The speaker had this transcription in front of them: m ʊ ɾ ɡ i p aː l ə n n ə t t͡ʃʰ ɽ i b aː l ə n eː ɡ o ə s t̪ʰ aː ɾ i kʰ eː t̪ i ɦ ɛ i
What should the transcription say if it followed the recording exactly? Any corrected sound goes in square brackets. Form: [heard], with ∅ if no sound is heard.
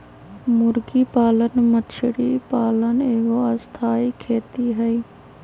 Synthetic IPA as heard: m ʊ ɾ ɡ i p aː l ə n [m] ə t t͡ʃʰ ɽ i [p] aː l ə n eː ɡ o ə s t̪ʰ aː [∅] i kʰ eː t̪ i ɦ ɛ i